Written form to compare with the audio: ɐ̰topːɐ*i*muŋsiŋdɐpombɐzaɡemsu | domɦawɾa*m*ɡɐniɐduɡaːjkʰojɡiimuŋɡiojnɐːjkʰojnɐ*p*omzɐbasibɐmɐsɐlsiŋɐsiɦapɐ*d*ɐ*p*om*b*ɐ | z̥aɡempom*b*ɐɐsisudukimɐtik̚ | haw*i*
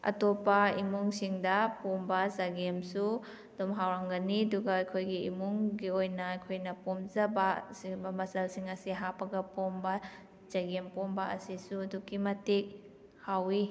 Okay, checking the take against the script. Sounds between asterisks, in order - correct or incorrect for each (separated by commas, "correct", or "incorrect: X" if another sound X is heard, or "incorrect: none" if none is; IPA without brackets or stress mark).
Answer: correct, incorrect: ŋ, correct, incorrect: ɡ, correct, correct, correct, correct